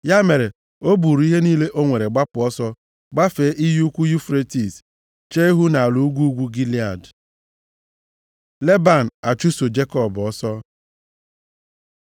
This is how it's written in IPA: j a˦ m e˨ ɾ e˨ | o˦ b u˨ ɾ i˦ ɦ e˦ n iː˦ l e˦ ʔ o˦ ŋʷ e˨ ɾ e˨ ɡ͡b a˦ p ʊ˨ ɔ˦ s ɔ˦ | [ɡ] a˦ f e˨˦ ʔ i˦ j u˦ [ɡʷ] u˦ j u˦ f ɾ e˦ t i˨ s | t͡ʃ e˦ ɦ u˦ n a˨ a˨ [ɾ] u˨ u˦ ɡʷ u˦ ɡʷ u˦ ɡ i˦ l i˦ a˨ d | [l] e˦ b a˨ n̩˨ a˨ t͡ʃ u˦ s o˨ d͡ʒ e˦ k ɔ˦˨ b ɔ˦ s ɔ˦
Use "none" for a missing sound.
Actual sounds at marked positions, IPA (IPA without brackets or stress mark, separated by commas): ɡ͡b, kʷ, l, l